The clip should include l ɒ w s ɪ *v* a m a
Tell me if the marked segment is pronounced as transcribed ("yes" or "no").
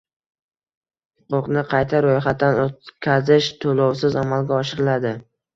no